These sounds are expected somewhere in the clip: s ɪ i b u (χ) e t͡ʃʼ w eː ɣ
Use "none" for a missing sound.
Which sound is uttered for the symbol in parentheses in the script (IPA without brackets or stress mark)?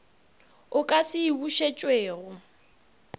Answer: ʃ